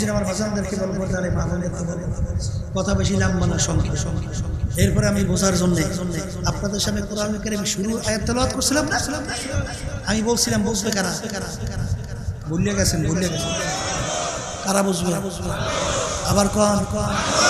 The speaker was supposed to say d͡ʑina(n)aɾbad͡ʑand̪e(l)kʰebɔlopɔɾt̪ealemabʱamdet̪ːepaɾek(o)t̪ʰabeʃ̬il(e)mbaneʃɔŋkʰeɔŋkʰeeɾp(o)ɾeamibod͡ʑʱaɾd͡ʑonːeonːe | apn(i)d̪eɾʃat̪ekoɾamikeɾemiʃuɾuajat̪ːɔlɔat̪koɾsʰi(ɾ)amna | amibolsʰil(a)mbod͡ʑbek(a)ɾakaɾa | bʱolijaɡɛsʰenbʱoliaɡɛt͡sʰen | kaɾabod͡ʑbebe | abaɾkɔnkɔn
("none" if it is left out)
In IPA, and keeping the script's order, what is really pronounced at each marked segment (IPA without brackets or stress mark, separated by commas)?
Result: m, ɾ, ɔ, a, ɔ, a, l, a, a